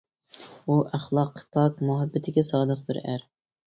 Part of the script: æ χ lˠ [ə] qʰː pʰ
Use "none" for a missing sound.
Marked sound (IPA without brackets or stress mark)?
ɑ